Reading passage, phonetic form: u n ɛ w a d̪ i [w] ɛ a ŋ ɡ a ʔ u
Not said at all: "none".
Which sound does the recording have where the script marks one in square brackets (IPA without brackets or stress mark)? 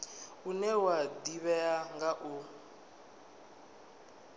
β